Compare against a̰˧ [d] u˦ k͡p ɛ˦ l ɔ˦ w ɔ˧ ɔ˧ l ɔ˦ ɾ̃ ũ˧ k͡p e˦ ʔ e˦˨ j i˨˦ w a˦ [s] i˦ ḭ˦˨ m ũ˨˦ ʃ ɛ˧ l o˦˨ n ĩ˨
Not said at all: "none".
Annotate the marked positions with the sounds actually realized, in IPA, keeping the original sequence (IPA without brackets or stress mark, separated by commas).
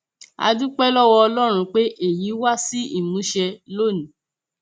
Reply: d, s